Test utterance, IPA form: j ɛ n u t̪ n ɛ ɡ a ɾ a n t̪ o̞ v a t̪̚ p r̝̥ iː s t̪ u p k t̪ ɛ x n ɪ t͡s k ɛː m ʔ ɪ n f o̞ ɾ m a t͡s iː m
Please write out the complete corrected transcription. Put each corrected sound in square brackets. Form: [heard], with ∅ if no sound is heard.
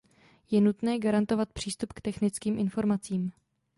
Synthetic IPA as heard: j ɛ n u t̪ n [ɛː] ɡ a ɾ a n t̪ o̞ v a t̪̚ p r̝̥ iː s t̪ u p k t̪ ɛ x n ɪ t͡s k [iː] m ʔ ɪ n f o̞ ɾ m a t͡s iː m